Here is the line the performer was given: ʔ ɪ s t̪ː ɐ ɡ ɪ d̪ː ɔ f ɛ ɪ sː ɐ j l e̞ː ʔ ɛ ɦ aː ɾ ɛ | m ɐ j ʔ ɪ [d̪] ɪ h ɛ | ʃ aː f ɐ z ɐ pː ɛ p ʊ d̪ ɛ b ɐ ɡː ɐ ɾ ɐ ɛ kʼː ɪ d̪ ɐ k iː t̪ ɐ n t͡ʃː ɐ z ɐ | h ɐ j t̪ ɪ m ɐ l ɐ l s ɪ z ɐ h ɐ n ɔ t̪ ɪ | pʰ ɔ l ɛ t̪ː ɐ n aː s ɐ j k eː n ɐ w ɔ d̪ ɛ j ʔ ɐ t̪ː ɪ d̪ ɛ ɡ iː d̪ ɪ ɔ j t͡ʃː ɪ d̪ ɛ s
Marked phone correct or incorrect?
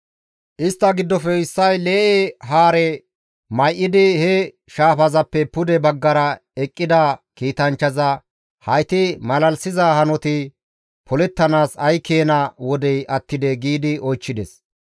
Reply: correct